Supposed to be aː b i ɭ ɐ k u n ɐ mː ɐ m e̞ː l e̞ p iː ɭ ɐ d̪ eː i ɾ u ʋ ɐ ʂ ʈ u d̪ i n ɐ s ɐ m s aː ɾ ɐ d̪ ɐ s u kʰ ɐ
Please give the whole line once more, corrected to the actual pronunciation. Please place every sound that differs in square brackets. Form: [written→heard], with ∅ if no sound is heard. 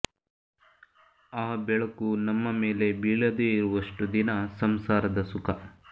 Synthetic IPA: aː b [i→ɛ] ɭ ɐ k u n ɐ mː ɐ m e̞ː l e̞ [p→b] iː ɭ ɐ d̪ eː i ɾ u ʋ ɐ ʂ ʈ u d̪ i n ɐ s ɐ m s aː ɾ ɐ d̪ ɐ s u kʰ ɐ